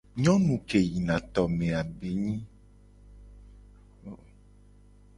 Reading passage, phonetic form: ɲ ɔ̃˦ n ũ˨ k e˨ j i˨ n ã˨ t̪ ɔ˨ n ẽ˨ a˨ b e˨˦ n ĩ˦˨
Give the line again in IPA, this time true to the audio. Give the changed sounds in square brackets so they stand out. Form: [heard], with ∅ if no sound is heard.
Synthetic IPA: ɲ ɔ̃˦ n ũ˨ k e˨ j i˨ n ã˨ t̪ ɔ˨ [m] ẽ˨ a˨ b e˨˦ [ɲ] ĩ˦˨

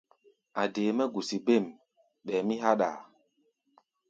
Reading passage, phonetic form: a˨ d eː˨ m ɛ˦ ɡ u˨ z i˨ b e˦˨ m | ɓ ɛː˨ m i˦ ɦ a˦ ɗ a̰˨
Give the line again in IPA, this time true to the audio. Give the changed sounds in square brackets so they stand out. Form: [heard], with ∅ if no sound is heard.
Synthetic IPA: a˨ d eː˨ m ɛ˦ ɡ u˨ [s] i˨ b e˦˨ m | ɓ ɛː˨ m i˦ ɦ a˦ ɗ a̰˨

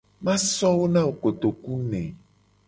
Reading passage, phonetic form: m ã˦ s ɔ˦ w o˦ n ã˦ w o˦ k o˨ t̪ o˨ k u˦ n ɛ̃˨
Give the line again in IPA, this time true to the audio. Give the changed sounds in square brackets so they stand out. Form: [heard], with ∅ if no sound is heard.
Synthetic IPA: m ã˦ s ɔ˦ w o˦ n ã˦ w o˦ k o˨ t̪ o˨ k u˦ n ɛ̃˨

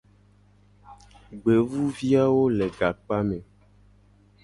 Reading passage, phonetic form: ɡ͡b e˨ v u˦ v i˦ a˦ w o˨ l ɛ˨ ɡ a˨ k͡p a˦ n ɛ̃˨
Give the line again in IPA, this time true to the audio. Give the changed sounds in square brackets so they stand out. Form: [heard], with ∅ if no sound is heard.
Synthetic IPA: ɡ͡b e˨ v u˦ v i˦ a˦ w [o˦] l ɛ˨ ɡ a˨ k͡p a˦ [m] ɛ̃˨

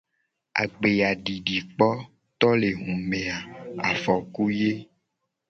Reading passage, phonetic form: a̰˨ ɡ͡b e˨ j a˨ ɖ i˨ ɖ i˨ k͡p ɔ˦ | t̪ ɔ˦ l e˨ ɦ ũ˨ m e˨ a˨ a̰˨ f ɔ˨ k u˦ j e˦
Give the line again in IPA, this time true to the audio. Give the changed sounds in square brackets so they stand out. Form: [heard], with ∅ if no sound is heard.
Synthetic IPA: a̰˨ ɡ͡b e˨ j a˨ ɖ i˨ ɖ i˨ k͡p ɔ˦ | t̪ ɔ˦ l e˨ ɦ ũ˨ m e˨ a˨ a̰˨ f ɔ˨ k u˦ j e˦

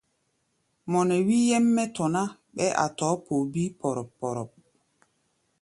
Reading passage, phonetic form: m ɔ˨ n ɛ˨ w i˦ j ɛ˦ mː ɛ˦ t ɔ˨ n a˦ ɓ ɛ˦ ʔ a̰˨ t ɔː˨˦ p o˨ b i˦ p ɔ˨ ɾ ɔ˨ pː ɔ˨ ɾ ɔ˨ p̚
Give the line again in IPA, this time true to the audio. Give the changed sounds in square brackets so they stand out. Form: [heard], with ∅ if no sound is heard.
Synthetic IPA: m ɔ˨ n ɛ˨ w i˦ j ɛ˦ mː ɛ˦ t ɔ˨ n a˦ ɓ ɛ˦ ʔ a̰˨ t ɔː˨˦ p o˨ b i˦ p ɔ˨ ɾ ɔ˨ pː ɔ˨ ɾ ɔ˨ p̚

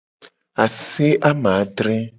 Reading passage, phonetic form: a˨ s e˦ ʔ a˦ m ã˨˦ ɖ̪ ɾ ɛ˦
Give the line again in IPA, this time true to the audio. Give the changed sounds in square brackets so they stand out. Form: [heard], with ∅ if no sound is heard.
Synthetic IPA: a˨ s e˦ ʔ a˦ m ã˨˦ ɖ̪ ɾ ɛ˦

